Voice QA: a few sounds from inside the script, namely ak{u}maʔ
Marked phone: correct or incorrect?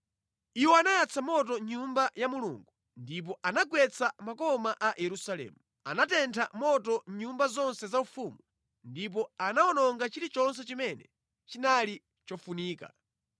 incorrect